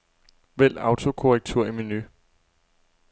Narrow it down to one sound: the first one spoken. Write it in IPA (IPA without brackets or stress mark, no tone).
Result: ʋ